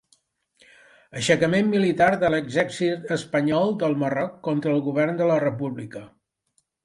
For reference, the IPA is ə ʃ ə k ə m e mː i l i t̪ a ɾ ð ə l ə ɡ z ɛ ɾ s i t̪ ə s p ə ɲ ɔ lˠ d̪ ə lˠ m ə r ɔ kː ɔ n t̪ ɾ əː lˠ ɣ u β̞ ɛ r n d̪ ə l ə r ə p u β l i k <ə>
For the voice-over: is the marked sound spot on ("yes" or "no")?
yes